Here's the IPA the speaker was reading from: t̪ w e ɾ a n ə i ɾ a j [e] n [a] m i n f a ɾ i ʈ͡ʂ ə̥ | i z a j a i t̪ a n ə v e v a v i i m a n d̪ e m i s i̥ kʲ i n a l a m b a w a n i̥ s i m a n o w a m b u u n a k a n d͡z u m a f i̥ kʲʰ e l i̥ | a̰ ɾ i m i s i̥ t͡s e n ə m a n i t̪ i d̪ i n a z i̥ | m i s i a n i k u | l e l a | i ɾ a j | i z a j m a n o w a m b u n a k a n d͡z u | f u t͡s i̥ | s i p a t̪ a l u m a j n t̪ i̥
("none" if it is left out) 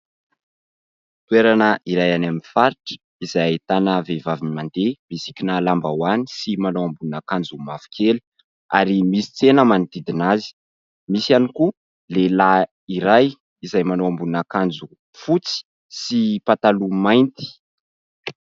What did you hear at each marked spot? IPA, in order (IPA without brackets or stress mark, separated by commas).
a, a